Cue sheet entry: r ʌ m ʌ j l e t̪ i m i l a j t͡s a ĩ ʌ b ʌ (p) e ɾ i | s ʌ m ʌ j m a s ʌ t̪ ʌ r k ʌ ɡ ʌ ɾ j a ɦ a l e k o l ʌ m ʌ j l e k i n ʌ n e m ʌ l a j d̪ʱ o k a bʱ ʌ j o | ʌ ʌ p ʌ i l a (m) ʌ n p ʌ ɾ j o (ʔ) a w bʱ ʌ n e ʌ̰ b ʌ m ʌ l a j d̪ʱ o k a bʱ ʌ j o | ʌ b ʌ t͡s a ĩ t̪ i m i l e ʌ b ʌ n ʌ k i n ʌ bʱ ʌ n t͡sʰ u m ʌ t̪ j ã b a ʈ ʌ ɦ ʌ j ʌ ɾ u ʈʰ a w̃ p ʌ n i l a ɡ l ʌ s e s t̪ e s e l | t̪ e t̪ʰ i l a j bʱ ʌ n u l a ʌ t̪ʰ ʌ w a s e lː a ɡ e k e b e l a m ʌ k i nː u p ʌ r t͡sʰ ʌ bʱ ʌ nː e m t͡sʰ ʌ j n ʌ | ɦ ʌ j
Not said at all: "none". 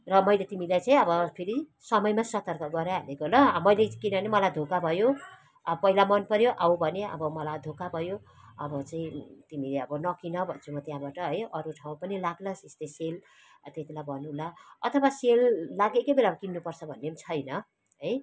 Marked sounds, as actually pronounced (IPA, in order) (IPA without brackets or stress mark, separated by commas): pʰ, m, ʔ